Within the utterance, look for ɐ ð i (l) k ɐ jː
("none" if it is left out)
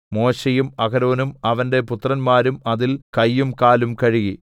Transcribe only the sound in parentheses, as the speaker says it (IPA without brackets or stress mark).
l